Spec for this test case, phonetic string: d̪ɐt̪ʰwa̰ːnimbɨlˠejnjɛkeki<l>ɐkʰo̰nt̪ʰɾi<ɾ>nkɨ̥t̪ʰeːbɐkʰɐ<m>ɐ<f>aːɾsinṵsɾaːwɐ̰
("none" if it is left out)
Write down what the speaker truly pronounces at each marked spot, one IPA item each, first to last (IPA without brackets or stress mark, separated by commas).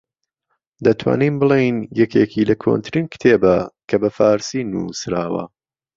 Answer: l, none, b, f